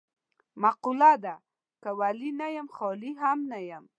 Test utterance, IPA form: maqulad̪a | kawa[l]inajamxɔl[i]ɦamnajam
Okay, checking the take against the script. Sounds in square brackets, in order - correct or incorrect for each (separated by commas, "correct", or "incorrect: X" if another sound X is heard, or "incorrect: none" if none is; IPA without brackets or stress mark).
correct, correct